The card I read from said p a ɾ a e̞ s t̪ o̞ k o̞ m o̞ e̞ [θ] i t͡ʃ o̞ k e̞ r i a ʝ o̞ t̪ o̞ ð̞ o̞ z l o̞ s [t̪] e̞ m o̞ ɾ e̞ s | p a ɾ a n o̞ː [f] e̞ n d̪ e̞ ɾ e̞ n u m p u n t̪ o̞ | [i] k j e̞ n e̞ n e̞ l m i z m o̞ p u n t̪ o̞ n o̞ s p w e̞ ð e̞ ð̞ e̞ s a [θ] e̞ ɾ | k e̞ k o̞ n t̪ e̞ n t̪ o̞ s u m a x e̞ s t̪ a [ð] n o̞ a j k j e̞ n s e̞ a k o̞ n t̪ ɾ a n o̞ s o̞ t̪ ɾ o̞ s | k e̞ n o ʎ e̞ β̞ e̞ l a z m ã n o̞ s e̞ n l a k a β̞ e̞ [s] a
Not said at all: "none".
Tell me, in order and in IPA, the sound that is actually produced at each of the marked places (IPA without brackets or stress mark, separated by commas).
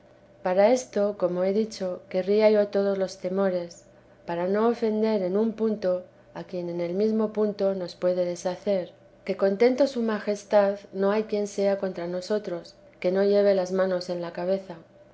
ð, t̪, f, a, θ, ð, θ